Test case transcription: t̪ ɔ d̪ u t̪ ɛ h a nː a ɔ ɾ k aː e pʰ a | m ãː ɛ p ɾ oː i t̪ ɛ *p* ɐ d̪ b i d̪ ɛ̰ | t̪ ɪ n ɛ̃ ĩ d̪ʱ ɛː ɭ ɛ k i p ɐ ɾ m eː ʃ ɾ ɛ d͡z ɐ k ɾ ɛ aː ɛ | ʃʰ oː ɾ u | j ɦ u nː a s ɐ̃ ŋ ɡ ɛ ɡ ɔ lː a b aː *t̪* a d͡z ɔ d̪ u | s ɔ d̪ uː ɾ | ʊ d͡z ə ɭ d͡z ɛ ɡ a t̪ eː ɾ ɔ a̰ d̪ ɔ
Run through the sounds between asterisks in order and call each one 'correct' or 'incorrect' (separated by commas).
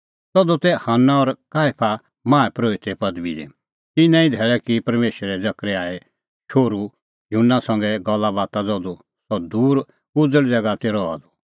correct, correct